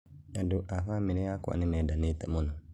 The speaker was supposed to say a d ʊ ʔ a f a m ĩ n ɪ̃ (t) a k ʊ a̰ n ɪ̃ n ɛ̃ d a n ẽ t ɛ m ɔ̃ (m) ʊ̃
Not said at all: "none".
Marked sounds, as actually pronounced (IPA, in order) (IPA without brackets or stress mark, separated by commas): none, n